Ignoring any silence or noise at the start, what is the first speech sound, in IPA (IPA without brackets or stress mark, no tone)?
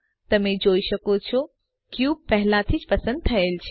t̪